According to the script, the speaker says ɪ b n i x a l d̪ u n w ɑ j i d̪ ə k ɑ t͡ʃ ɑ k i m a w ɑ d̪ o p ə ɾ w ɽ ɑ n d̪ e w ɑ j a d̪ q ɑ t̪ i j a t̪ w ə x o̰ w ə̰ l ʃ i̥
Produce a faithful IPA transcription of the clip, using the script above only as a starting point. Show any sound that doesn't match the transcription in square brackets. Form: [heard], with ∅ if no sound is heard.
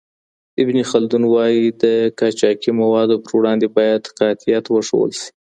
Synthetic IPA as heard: ɪ b n i x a l d̪ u n w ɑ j i d̪ ə k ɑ t͡ʃ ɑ k i m a w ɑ d̪ o p ə ɾ w ɽ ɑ n d̪ e [b] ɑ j a d̪ q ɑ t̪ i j a t̪ w ə [ʂ] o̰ w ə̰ l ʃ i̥